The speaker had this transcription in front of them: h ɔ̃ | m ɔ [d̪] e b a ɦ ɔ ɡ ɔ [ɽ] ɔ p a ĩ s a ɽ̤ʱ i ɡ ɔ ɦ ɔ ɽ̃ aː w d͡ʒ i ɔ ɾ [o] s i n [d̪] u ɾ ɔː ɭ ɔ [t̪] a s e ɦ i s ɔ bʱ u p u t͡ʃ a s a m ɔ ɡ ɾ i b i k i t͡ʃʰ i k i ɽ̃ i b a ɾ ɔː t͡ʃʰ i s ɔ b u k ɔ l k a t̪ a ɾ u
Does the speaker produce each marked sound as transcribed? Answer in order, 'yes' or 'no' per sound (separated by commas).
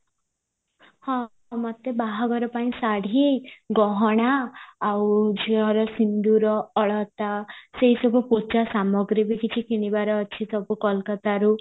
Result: no, no, no, yes, yes